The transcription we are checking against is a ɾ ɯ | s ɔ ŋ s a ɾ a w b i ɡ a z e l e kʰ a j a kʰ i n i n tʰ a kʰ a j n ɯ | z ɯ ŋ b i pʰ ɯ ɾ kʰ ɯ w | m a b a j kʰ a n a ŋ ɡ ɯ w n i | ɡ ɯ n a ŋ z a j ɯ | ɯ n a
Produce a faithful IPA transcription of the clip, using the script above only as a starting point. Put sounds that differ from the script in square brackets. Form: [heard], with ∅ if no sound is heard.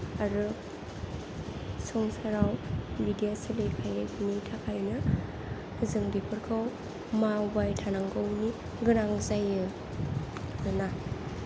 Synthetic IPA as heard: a ɾ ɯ | s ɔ ŋ s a ɾ a w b i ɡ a [s] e l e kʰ a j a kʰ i n i [∅] tʰ a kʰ a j n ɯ | z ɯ ŋ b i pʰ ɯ ɾ kʰ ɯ w | m a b a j [tʰ] a n a ŋ ɡ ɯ w n i | ɡ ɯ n a ŋ z a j ɯ | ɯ n a

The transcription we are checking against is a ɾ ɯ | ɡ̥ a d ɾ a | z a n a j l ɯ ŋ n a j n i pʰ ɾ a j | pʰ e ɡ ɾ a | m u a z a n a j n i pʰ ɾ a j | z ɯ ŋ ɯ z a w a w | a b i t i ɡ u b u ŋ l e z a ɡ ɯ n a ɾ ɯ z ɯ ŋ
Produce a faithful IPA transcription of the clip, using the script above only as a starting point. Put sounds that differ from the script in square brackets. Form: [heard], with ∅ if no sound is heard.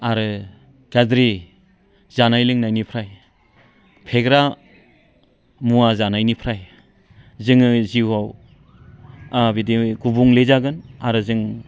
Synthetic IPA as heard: a ɾ ɯ | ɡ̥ a d ɾ [i] | z a n a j l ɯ ŋ n a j n i pʰ ɾ a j | pʰ e ɡ ɾ a | m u a z a n a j n i pʰ ɾ a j | z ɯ ŋ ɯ z [i] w a w | a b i [d] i ɡ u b u ŋ l e z a ɡ ɯ n a ɾ ɯ z ɯ ŋ

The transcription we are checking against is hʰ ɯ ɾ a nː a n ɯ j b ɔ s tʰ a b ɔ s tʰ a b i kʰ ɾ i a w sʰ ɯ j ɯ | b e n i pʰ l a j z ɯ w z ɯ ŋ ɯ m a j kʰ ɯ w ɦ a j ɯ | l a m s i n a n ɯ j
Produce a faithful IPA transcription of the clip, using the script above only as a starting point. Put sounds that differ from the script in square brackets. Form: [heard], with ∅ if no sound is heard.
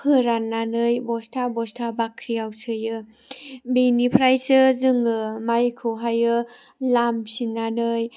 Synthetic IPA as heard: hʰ ɯ ɾ a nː a n ɯ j b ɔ s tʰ a b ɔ s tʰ a b [a] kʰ ɾ i a w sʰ ɯ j ɯ | b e n i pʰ [ɾ] a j [s] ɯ [∅] z ɯ ŋ ɯ m a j kʰ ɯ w ɦ a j ɯ | l a m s i n a n ɯ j

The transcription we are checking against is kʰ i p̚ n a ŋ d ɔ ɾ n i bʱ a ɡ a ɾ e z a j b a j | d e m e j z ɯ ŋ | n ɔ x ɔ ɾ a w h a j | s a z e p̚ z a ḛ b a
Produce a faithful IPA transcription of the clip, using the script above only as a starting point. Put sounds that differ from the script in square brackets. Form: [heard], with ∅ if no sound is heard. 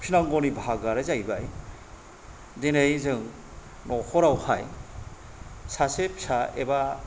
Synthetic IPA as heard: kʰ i [∅] n a ŋ [ɡ] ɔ [∅] n i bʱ a ɡ a ɾ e z a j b a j | d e [n] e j z ɯ ŋ | n ɔ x ɔ ɾ a w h a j | s a [s] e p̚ [s] a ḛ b a

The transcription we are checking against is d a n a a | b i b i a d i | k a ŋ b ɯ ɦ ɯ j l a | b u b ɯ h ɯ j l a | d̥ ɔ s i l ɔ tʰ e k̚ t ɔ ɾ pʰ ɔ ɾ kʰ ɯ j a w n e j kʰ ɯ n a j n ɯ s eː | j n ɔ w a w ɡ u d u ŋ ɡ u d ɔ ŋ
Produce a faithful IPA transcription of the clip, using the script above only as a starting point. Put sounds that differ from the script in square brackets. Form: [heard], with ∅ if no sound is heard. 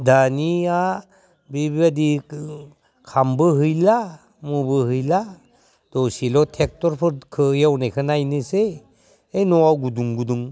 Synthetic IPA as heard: d a n [i] a | b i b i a d i | [kʰ] a [m] b ɯ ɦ ɯ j l a | [m] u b ɯ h ɯ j l a | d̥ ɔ s i l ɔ tʰ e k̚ t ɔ ɾ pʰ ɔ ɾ kʰ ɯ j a w n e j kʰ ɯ n a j n ɯ s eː | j n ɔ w a w ɡ u d u ŋ ɡ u d [u] ŋ

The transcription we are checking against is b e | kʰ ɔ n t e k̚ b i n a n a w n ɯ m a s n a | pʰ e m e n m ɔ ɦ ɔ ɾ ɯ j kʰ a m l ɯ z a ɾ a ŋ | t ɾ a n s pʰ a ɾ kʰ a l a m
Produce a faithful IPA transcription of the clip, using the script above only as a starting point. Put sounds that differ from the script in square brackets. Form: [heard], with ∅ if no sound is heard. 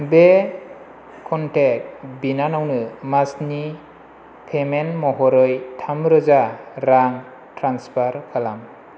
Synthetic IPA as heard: b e | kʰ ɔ n t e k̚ b i n a n a w n ɯ m a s n [i] | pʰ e m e n m ɔ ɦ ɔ ɾ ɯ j [tʰ] a m [ɾ] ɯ z a ɾ a ŋ | t ɾ a n s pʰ a ɾ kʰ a l a m

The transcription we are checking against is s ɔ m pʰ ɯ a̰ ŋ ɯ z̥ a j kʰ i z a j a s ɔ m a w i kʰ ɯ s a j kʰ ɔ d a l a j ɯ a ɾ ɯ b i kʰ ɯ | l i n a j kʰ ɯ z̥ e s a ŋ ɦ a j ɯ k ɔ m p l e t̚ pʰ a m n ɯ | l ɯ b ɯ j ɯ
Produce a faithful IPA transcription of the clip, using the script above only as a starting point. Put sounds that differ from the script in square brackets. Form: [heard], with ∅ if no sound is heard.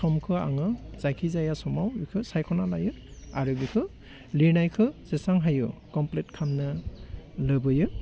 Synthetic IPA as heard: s ɔ m [kʰ] ɯ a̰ ŋ ɯ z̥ a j kʰ i z a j a s ɔ m a w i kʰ ɯ s a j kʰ ɔ [n] a l a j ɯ a ɾ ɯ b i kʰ ɯ | l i n a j kʰ ɯ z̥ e s a ŋ ɦ a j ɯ k ɔ m p l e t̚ [kʰ] a m n ɯ | l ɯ b ɯ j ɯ

